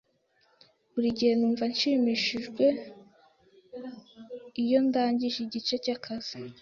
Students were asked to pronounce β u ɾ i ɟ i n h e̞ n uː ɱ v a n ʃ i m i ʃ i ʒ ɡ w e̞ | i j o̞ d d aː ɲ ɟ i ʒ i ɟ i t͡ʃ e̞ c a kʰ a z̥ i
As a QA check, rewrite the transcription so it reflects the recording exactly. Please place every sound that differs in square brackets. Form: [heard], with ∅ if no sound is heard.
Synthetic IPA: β u ɾ i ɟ i [∅] h e̞ n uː ɱ v a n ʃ i m i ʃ i ʒ ɡ w e̞ | i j o̞ [n] d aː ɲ ɟ i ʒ i ɟ i t͡ʃ e̞ c a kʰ a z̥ i